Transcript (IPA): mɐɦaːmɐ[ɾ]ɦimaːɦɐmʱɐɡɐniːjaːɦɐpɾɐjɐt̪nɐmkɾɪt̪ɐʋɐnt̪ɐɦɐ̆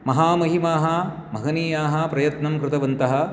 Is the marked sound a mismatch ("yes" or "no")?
yes